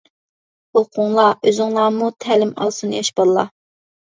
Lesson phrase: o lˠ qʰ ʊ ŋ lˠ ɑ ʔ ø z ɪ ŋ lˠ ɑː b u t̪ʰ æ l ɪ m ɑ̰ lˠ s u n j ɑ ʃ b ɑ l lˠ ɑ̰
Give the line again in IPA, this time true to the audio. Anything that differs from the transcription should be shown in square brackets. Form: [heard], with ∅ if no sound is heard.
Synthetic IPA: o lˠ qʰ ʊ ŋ lˠ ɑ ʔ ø z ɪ ŋ lˠ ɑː [m] u t̪ʰ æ l ɪ m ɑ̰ lˠ s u n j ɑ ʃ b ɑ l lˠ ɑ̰